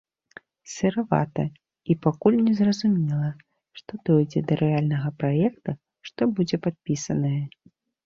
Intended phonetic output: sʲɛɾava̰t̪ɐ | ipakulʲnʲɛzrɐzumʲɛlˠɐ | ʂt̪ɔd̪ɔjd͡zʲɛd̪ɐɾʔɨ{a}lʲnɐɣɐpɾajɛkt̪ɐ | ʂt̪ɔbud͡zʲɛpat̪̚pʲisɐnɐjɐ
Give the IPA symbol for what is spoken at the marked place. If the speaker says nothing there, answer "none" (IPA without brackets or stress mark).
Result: a